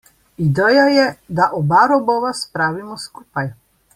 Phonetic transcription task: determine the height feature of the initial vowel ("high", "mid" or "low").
high